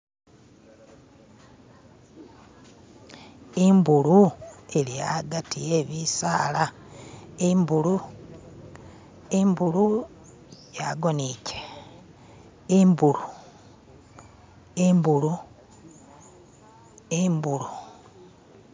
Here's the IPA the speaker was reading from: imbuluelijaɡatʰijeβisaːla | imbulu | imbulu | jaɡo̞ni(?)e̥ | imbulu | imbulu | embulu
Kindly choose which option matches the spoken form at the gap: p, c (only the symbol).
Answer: c